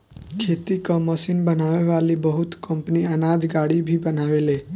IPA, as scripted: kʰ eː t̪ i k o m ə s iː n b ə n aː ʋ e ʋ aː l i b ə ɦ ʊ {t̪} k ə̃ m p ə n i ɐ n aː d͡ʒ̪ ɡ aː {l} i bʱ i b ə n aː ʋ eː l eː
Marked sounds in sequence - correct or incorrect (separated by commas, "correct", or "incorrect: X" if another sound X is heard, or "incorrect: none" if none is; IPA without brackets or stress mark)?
correct, incorrect: ɽ